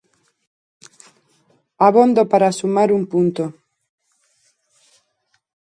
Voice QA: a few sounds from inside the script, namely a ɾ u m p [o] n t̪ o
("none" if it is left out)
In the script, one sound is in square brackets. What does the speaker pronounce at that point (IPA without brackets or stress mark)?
u